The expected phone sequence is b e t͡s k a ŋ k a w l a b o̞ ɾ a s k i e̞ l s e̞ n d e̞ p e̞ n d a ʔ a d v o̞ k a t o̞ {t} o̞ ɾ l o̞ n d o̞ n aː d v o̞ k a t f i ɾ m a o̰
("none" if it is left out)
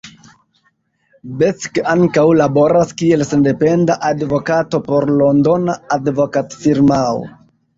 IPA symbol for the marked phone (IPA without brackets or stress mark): p